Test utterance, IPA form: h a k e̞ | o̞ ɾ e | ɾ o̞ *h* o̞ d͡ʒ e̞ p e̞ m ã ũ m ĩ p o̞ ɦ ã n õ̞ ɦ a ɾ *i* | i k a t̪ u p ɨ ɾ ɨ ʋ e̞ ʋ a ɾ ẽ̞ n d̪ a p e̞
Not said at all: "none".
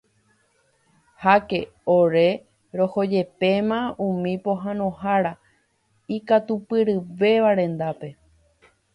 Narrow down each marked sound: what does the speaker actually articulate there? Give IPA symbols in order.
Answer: h, a

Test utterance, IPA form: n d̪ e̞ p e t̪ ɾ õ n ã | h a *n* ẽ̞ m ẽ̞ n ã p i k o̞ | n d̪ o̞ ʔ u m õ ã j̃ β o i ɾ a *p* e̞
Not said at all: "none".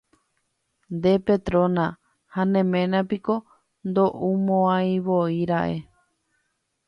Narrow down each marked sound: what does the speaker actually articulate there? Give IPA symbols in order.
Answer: n, ʔ

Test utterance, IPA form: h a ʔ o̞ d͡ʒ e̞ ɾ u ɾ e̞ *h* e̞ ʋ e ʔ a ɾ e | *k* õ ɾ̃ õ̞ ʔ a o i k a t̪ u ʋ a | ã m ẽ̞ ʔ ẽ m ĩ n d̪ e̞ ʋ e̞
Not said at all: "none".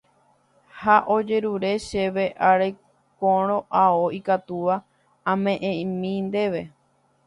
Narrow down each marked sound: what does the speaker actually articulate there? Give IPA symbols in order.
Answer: ʃ, k

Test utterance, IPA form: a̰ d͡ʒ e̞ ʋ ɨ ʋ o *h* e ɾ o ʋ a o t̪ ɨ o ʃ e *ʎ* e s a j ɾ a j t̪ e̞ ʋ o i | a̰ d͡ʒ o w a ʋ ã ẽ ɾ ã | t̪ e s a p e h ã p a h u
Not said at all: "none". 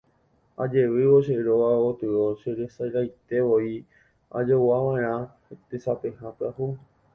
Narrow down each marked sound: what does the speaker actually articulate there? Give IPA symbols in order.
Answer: ʃ, ɾ

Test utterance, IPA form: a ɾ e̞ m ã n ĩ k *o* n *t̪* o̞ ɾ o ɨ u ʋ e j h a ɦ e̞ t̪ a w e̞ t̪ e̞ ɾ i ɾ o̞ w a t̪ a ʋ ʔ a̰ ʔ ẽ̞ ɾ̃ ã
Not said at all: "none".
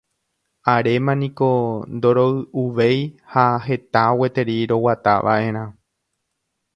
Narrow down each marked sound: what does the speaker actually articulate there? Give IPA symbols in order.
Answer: o, d̪

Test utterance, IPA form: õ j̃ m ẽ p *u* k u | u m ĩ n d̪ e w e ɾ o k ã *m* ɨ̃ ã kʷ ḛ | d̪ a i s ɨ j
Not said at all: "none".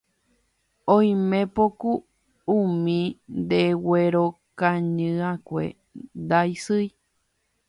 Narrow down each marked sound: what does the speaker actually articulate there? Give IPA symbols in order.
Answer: o, ɲ

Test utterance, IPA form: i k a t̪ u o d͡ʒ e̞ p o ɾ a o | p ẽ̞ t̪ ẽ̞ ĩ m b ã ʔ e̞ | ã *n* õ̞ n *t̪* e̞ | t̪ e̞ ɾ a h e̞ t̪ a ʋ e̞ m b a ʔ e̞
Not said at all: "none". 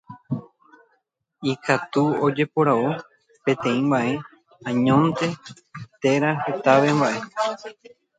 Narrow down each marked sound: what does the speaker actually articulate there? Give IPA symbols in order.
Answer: ɲ, t̪

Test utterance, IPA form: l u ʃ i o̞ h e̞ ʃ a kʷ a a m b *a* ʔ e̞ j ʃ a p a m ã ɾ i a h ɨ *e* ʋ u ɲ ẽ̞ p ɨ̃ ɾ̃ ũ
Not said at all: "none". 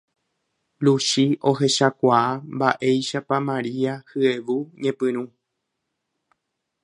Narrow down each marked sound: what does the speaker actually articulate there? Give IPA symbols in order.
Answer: a, e

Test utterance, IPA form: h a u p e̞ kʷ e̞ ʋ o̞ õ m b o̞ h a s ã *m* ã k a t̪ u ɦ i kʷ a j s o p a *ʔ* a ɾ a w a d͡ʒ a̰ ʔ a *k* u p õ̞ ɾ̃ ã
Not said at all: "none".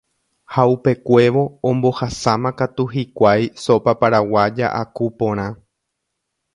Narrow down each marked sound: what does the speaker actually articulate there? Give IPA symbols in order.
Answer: m, p, k

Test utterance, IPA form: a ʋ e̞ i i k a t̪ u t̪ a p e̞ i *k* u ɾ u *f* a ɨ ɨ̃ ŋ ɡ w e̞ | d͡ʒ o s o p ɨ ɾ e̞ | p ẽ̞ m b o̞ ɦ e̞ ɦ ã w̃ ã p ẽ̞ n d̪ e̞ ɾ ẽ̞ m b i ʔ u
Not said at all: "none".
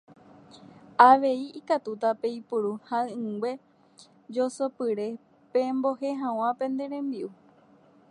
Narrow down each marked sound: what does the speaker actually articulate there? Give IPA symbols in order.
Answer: p, h

